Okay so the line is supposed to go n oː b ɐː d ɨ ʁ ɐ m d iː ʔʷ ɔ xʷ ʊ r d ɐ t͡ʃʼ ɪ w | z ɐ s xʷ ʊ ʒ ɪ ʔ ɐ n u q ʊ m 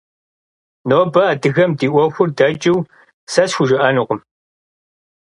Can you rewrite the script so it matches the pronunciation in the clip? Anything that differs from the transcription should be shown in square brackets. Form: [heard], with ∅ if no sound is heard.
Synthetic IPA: n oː b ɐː d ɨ [ɣ] ɐ m d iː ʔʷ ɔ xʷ ʊ r d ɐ t͡ʃʼ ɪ w | [s] ɐ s xʷ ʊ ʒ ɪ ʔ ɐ n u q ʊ m